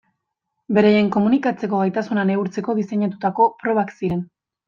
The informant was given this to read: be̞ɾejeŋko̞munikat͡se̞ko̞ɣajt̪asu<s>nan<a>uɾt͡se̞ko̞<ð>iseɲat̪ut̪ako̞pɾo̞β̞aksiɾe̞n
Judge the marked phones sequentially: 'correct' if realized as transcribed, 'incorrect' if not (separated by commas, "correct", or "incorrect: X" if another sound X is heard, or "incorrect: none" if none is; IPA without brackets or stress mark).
incorrect: none, incorrect: e, correct